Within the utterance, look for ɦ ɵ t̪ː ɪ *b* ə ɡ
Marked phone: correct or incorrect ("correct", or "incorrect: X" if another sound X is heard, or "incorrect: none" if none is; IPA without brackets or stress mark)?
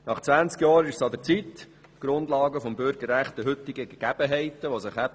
incorrect: ɡ